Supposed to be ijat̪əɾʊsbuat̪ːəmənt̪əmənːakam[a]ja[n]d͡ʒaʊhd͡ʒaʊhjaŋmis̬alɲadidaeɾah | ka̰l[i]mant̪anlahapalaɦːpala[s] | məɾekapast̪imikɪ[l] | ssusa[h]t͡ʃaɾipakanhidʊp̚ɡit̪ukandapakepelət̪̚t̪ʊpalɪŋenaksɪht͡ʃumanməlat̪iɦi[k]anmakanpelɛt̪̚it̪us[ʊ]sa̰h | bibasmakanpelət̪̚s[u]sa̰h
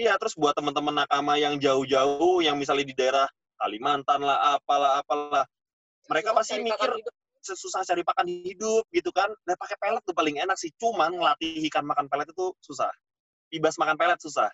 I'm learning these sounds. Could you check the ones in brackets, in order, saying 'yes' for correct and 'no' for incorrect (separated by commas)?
yes, no, yes, no, no, yes, yes, no, yes